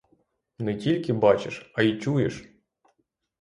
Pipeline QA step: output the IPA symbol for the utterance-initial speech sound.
n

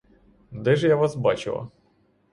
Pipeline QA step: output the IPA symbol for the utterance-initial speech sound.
d̪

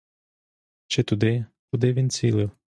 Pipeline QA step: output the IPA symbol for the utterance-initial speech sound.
t͡ʃ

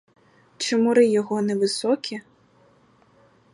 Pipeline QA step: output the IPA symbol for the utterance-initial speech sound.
t͡ʃ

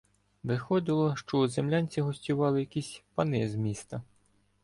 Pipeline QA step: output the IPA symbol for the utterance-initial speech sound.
ʋ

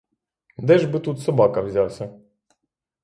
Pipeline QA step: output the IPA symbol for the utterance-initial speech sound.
d̪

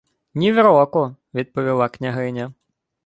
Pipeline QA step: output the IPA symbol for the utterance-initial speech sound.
nʲ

